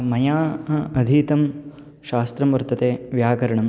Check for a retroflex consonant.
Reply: present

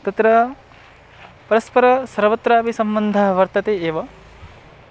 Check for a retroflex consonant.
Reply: absent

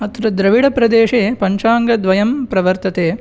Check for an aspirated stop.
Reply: absent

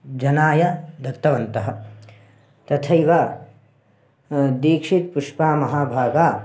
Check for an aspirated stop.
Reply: present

